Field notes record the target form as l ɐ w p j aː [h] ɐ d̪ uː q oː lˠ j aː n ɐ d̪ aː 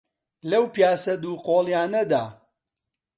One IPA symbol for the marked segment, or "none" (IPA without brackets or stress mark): s